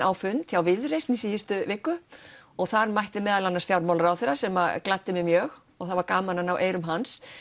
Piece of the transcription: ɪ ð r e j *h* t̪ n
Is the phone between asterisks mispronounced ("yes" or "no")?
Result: yes